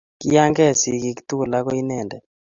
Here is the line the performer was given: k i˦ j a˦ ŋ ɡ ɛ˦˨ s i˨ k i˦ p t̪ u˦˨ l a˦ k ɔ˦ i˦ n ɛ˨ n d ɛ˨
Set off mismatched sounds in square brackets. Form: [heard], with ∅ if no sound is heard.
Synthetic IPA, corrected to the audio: k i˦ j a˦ ŋ ɡ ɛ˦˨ s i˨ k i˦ [k] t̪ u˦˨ l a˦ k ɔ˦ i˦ n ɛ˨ n d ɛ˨